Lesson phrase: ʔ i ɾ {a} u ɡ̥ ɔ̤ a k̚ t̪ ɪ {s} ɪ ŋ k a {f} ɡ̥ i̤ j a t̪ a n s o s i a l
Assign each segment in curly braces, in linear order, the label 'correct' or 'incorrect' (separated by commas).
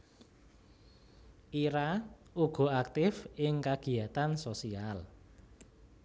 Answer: correct, incorrect, incorrect